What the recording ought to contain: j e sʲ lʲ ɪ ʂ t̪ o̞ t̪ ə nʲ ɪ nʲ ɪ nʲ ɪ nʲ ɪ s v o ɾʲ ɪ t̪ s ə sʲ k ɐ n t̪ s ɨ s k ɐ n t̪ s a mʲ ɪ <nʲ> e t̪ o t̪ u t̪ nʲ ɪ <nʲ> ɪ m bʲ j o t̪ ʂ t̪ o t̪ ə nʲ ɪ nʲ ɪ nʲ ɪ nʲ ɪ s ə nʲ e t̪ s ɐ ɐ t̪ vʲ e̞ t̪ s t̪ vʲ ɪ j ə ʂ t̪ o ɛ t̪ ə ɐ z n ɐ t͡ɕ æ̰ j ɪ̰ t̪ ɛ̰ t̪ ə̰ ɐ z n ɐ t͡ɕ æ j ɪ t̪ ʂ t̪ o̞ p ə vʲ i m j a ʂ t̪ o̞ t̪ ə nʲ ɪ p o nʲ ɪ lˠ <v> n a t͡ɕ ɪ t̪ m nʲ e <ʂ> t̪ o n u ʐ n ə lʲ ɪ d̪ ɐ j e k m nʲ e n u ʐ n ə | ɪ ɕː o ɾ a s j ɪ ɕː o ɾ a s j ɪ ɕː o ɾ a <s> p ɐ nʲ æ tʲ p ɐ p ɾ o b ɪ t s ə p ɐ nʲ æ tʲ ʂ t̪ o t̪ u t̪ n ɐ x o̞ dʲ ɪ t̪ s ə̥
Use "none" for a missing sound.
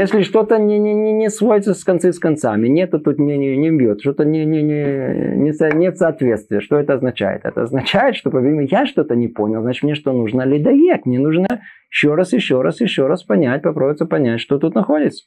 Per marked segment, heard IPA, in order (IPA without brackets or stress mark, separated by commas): nʲ, nʲ, z, ʂ, s